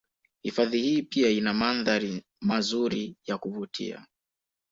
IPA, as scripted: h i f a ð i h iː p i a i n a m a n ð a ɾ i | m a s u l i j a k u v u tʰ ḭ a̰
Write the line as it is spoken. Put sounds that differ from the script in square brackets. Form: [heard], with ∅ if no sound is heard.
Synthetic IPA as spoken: h i f a ð i h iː p i a i n a m a n ð a ɾ i | m a [z] u [ɾ] i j a k u v u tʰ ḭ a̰